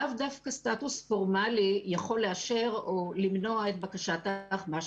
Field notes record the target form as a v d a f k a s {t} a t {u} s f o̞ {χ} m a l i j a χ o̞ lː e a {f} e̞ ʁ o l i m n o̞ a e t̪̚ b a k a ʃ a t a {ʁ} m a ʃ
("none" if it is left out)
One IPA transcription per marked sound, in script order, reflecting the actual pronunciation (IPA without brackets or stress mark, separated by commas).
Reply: t, u, ʁ, ʃ, χ